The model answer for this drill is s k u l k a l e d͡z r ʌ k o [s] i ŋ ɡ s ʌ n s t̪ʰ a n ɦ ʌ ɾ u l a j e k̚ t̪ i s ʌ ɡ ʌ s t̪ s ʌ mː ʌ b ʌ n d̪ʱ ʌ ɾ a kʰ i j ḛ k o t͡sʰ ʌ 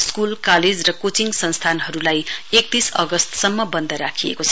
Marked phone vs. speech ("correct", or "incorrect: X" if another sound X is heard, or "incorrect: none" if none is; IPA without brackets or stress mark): incorrect: t͡s